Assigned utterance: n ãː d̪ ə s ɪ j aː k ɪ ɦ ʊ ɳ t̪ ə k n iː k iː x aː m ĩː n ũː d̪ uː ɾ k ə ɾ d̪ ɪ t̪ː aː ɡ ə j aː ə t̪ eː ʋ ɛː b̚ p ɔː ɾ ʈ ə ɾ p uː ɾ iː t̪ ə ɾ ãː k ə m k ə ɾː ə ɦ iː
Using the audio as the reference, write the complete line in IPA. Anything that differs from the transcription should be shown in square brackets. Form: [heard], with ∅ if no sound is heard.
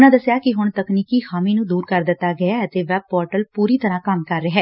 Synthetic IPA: n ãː d̪ ə s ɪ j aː k ɪ ɦ ʊ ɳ t̪ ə k n iː k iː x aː m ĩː n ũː d̪ uː ɾ k ə ɾ d̪ ɪ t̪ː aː ɡ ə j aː ə t̪ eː ʋ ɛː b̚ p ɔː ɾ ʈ ə [l] p uː ɾ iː t̪ ə ɾ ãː k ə m k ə ɾː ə ɦ [ɛː]